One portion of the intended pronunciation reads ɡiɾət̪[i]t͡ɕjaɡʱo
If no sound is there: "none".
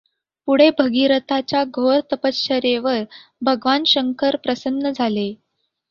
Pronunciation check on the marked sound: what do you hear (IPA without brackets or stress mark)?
a